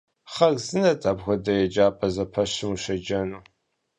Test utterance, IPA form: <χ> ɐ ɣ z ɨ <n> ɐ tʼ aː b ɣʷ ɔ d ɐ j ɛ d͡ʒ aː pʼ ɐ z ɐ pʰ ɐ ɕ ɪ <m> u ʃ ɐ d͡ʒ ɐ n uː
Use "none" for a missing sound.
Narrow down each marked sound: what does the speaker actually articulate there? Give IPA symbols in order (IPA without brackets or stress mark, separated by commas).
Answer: χ, n, m